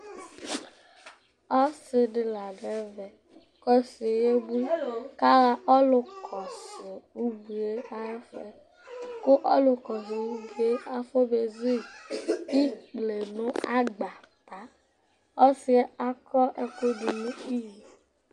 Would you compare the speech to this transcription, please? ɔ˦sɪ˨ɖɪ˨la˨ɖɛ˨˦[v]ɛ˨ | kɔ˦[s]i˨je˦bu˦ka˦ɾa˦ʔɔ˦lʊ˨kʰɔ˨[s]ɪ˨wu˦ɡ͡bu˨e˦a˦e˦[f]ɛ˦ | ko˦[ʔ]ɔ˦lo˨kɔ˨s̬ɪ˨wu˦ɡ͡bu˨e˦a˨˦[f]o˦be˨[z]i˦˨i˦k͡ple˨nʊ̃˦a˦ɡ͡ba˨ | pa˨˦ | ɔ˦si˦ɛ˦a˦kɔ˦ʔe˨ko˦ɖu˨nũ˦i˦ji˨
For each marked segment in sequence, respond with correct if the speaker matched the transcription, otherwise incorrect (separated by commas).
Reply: correct, correct, correct, correct, correct, correct, correct